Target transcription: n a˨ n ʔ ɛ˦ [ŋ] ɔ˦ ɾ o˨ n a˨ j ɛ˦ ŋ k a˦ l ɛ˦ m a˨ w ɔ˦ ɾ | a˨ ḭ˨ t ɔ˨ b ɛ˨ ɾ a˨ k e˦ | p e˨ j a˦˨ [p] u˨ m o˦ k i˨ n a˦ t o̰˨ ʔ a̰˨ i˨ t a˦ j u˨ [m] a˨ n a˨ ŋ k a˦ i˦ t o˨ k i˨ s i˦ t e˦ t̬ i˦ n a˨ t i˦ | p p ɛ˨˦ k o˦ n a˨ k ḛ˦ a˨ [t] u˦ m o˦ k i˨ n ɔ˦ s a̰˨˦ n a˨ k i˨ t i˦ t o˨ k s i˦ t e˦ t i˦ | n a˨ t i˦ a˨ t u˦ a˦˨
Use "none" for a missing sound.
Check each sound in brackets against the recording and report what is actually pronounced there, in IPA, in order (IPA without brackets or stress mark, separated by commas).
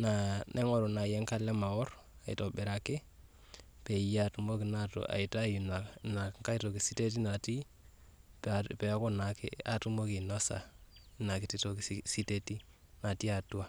ŋ, t, n, t